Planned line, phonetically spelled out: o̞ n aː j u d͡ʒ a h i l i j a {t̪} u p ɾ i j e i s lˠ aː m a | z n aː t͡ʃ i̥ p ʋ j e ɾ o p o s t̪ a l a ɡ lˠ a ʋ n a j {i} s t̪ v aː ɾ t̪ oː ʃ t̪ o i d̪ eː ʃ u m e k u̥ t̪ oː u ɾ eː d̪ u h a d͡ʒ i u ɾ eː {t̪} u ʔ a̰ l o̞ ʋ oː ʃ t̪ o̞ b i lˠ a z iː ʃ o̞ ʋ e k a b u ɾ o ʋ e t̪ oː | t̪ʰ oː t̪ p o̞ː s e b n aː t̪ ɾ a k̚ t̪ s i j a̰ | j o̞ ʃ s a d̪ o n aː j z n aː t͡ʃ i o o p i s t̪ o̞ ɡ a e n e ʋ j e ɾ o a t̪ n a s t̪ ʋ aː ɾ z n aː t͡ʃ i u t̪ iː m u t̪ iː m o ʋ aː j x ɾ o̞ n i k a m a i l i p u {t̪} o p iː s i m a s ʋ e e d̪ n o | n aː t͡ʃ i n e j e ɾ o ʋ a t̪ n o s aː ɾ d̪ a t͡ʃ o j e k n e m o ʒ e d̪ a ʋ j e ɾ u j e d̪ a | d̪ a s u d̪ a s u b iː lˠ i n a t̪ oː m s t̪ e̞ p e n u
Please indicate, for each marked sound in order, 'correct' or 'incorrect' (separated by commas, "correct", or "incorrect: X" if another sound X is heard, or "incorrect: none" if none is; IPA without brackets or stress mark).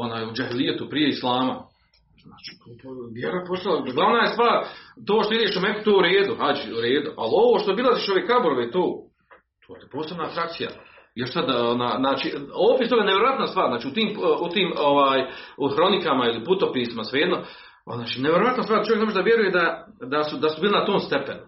correct, incorrect: e, incorrect: d̪, correct